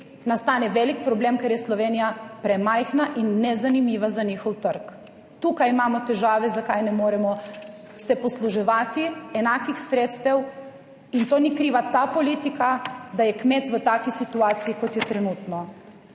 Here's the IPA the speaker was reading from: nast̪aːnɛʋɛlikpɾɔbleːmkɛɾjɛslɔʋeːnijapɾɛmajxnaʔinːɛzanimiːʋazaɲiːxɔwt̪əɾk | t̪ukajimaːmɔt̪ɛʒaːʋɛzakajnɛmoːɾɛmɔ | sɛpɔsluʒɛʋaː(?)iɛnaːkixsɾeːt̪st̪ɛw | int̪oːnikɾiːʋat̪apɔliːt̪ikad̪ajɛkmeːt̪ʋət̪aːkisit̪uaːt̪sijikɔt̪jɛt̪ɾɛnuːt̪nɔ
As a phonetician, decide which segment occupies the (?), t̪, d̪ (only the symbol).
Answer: t̪